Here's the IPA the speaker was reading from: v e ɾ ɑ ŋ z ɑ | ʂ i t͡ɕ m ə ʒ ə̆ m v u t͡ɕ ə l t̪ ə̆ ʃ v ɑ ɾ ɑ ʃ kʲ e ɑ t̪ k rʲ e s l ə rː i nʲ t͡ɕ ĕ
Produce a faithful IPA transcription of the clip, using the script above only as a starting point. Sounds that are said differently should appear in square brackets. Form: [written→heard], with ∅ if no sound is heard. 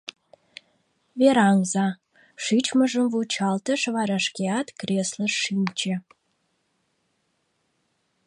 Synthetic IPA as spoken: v e ɾ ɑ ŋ z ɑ | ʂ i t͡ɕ m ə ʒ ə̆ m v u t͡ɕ [ə→ɑ] l t̪ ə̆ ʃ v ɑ ɾ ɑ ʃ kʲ e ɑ t̪ k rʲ e s l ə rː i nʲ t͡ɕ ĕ